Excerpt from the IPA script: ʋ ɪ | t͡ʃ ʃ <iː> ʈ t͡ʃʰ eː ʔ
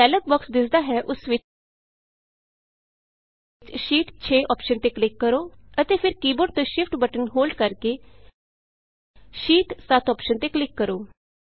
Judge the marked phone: correct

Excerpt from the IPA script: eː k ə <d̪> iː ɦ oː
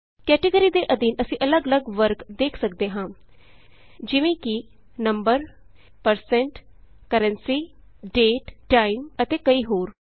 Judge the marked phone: incorrect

